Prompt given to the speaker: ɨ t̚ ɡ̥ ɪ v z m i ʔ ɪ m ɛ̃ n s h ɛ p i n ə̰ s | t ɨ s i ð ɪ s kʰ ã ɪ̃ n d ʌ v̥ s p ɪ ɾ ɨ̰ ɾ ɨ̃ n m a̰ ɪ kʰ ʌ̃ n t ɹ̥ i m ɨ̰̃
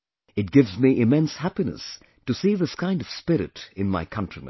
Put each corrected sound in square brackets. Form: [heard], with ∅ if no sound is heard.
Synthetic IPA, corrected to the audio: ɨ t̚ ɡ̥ ɪ v z m i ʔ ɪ m ɛ̃ n s h [æ] p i n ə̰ s | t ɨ s i ð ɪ s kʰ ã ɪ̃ n d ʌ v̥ s p ɪ ɾ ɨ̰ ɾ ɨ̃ n m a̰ ɪ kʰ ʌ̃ n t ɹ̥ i m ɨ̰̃